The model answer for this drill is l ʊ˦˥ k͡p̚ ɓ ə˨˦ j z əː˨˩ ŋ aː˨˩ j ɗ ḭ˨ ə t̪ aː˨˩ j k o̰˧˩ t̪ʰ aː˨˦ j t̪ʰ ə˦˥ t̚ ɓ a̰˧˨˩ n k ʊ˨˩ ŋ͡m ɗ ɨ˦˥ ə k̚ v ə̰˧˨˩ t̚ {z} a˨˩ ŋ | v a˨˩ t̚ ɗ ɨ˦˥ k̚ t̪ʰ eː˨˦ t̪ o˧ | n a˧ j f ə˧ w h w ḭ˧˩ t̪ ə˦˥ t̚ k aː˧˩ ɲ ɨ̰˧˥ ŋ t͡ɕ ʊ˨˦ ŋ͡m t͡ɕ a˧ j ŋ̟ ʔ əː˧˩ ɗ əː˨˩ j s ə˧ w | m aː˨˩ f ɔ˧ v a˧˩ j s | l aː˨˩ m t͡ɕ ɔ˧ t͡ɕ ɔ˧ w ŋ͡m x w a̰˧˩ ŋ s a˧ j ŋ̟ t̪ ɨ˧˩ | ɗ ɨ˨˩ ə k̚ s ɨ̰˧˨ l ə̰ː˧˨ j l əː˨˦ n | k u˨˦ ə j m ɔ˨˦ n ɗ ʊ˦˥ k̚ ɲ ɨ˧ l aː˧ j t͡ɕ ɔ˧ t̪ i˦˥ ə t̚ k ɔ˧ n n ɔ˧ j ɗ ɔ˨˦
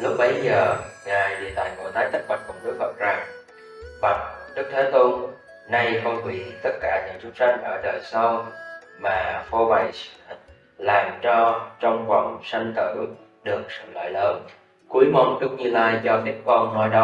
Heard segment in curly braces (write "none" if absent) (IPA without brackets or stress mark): z